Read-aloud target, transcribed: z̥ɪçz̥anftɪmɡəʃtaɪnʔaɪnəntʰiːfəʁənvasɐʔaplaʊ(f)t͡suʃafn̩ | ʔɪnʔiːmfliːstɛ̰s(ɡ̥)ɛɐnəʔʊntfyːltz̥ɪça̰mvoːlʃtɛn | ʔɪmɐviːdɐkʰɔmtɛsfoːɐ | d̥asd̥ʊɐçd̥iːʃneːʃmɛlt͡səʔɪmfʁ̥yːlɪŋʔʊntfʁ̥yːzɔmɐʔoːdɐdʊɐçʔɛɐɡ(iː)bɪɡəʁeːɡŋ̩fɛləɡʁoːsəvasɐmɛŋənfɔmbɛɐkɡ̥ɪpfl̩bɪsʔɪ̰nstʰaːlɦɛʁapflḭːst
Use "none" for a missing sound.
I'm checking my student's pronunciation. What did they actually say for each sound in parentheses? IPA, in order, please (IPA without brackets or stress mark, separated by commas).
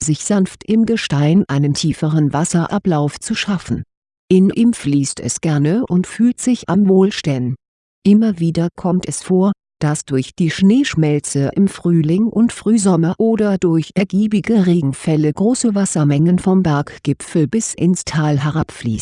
f, ɡ̥, iː